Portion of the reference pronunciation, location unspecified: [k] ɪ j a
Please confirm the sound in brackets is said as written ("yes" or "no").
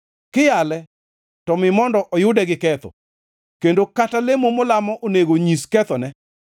yes